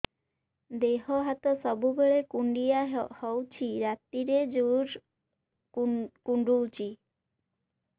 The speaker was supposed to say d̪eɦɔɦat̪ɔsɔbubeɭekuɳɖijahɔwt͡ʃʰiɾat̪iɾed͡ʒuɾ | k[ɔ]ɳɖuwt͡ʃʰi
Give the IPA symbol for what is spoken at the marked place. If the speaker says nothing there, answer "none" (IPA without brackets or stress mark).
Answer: u